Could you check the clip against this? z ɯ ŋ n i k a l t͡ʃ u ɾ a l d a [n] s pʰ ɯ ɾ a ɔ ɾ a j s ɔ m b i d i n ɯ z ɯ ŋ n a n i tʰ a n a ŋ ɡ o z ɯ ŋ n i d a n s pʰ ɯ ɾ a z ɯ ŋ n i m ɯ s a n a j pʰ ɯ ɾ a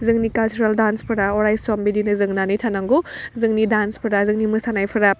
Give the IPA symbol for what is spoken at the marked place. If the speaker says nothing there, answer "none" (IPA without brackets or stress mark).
n